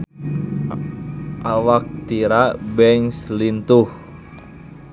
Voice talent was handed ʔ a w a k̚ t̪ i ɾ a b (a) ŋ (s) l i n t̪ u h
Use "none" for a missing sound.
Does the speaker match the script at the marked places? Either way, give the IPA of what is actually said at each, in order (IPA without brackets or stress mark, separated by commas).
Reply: ɛ, s